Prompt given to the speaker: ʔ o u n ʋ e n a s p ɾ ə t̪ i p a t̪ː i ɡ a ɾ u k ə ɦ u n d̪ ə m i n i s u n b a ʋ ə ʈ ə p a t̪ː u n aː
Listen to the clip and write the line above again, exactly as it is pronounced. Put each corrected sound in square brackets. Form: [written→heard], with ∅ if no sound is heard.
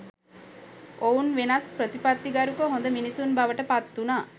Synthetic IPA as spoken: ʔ o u n ʋ e n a s p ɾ ə t̪ i p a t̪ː i ɡ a ɾ u k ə ɦ [u→o] n d̪ ə m i n i s u n b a ʋ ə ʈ ə p a t̪ː u n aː